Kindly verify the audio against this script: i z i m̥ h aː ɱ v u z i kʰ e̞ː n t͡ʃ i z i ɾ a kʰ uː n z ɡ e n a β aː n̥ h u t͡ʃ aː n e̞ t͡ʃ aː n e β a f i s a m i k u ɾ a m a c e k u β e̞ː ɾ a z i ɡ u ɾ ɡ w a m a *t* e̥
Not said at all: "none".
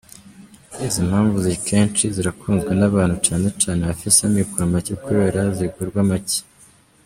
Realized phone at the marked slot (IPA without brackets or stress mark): c